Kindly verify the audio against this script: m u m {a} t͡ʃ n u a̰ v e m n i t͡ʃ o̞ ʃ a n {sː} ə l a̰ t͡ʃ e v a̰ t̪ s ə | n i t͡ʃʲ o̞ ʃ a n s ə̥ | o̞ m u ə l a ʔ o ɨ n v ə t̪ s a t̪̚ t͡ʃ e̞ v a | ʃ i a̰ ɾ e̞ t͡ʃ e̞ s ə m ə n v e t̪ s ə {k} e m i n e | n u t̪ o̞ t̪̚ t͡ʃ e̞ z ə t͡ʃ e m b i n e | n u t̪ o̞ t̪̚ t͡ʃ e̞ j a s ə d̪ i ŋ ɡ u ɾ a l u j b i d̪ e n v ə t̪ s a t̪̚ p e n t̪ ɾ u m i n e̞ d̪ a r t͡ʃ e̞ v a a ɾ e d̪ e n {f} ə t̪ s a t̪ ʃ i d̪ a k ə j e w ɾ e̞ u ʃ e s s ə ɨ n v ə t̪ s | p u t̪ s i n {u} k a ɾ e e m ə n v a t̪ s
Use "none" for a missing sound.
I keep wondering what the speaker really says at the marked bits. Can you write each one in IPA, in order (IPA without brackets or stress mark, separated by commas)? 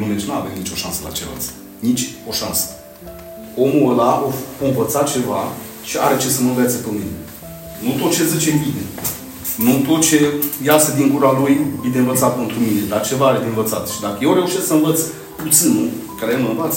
e, s, p, v, u